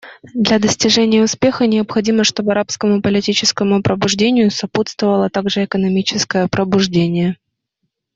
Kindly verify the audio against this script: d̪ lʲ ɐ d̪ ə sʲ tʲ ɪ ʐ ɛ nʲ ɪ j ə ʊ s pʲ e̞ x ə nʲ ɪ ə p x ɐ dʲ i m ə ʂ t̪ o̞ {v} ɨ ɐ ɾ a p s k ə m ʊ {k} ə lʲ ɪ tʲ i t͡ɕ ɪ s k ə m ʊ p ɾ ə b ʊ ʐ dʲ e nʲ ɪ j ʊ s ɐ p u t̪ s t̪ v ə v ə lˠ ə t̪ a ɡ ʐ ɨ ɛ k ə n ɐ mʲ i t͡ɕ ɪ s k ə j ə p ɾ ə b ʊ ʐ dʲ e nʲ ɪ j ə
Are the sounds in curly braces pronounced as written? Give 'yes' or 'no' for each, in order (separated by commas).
no, no